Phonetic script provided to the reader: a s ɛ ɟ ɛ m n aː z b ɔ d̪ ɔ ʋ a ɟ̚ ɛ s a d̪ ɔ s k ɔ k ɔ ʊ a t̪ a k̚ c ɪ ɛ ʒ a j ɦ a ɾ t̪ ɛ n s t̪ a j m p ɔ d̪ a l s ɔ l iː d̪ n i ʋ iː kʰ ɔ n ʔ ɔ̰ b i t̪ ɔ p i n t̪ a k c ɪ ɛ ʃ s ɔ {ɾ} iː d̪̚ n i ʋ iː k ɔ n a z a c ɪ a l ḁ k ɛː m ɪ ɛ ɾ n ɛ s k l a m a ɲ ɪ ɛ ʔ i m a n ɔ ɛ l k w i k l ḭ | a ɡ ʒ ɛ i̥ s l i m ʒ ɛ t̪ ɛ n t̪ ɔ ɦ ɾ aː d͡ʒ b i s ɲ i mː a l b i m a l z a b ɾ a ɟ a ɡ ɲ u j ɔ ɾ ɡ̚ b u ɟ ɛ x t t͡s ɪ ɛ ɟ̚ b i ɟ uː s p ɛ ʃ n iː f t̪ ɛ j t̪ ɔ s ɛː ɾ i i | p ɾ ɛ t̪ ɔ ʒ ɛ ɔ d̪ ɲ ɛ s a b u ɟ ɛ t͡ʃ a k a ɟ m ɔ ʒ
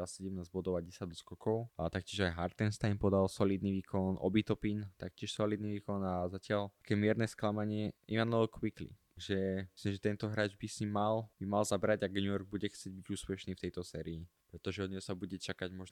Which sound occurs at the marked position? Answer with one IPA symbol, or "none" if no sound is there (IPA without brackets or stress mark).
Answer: l